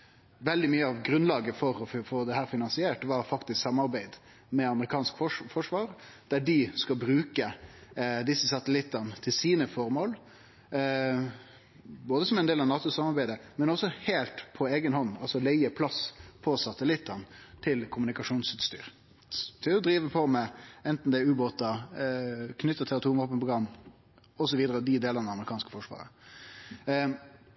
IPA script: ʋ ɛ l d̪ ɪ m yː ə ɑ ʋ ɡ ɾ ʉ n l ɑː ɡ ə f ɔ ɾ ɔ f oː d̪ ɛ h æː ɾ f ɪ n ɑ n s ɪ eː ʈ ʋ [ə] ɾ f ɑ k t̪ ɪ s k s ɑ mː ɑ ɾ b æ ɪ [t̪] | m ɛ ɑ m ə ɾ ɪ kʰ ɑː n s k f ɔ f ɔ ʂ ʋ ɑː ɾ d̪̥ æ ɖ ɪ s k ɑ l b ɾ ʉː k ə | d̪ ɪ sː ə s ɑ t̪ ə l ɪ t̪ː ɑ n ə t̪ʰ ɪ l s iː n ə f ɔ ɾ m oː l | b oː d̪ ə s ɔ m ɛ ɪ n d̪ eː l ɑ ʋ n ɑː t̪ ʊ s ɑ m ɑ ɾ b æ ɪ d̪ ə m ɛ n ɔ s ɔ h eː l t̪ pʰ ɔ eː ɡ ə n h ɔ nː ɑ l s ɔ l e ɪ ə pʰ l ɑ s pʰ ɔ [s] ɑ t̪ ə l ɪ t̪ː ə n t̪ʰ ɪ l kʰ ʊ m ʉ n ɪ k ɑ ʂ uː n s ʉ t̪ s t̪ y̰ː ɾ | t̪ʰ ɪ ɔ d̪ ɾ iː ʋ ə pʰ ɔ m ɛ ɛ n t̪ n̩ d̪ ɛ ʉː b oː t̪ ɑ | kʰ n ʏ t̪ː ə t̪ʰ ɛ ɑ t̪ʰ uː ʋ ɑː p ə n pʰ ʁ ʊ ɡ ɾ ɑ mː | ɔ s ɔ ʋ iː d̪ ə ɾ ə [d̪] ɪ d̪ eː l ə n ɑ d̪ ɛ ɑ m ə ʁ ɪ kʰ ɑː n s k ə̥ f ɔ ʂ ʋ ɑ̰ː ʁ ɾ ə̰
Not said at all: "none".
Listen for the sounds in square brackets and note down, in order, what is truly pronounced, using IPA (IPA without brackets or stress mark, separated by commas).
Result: ɑ, d̪, s, d̪